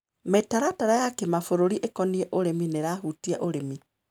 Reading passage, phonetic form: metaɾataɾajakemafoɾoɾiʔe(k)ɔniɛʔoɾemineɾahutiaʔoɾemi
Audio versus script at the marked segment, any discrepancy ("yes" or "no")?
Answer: no